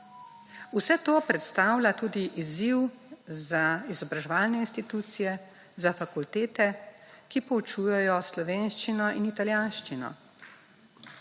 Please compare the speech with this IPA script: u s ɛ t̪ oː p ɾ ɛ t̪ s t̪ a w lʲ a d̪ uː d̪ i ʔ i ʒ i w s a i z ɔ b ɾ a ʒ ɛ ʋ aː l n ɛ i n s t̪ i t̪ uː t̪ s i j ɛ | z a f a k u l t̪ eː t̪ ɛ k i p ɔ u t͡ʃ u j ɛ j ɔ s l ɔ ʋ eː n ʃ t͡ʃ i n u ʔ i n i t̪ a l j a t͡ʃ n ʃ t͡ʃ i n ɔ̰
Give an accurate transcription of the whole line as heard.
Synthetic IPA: u s ɛ t̪ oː p ɾ ɛ t̪ s t̪ a w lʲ a t̪ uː d̪ i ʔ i z i w z a i z ɔ b ɾ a ʒ ɛ ʋ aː l n ɛ i n s t̪ i t̪ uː t̪ s i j ɛ | z a f a k u l t̪ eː t̪ ɛ k i p ɔ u t͡ʃ u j ɛ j ɔ s l ɔ ʋ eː n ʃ t͡ʃ i n ɔ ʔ i n i t̪ a l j a n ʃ t͡ʃ i n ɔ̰